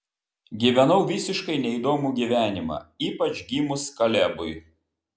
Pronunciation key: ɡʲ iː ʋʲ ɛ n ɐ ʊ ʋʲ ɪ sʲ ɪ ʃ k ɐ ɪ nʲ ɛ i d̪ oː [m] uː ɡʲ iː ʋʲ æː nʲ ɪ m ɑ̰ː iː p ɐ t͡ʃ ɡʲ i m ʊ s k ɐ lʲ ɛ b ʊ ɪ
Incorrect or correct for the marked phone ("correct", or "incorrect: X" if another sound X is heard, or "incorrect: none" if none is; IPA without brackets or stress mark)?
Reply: correct